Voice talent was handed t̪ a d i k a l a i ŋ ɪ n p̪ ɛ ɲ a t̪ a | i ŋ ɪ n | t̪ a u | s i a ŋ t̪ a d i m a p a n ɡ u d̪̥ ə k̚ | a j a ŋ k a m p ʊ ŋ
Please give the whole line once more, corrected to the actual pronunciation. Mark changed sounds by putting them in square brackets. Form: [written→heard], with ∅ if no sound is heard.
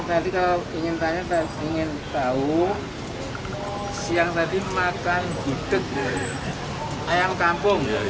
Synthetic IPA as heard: t̪ a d i k a l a i ŋ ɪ n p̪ [ɛ→a] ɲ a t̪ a | i ŋ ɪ n | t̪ a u | s i a ŋ t̪ a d i m a [p→k] a n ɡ u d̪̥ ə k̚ | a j a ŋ k a m p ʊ ŋ